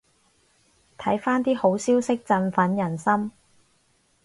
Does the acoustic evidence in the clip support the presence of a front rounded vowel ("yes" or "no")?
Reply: no